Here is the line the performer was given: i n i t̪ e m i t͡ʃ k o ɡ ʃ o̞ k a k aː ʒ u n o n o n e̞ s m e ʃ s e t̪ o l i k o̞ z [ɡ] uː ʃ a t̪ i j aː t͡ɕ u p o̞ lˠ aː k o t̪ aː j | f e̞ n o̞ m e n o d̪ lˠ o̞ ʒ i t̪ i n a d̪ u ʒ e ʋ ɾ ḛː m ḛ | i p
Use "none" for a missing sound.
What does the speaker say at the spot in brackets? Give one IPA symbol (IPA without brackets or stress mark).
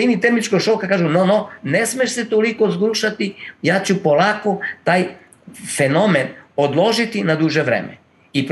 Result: ɡ